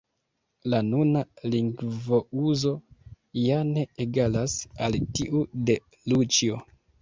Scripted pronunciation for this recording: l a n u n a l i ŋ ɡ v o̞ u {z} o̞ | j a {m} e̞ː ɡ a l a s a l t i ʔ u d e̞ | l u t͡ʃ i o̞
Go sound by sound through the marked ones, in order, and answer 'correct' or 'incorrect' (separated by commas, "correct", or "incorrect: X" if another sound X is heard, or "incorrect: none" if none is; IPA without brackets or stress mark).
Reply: correct, incorrect: n